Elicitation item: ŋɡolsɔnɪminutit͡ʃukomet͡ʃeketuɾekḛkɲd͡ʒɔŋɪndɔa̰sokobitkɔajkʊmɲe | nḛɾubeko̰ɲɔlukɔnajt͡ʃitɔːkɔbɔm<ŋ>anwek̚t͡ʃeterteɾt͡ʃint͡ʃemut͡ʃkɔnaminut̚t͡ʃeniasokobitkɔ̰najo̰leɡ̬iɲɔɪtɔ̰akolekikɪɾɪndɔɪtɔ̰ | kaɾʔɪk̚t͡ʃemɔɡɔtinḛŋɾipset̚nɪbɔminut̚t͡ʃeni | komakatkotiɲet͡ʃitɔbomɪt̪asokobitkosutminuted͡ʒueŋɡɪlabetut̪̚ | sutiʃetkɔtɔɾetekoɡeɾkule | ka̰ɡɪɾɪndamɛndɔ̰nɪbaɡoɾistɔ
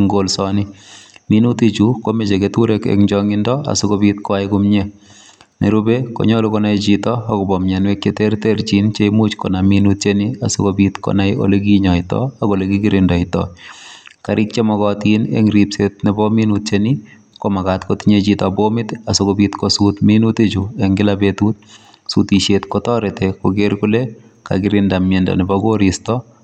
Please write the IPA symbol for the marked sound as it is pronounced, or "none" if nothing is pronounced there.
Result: ɲ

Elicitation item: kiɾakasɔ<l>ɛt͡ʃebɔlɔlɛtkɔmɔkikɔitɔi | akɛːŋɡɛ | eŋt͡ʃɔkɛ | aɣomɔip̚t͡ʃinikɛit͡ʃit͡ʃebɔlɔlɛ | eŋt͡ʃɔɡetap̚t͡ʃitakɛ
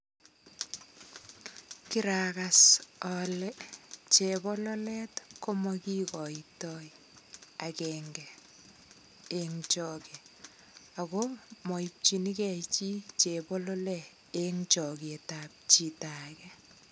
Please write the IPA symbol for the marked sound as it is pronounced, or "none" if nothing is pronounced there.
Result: l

